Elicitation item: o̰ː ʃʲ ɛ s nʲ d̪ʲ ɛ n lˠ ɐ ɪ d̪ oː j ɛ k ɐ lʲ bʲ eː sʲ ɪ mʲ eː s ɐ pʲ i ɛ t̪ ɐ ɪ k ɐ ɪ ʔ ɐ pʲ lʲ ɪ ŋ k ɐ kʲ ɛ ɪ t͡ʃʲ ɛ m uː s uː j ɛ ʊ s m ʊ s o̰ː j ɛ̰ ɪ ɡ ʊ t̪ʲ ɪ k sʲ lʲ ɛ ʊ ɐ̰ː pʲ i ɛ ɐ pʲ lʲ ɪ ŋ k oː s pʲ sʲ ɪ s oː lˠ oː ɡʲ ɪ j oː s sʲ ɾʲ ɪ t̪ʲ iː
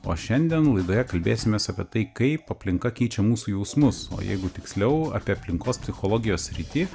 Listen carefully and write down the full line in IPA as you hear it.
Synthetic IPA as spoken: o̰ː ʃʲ ɛ nʲ d̪ʲ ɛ n lˠ ɐ ɪ d̪ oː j ɛ k ɐ lʲ bʲ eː sʲ ɪ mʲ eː s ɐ pʲ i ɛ t̪ ɐ ɪ k ɐ ɪ p ɐ pʲ lʲ ɪ ŋ k ɐ kʲ ɛ ɪ t͡ʃʲ ɛ m uː s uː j ɛ ʊ s m ʊ s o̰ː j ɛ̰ ɪ ɡ ʊ t̪ʲ ɪ k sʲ lʲ ɛ ʊ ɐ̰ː pʲ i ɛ ɐ pʲ lʲ ɪ ŋ k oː s pʲ sʲ ɪ x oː lˠ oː ɡʲ ɪ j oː s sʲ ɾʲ ɪ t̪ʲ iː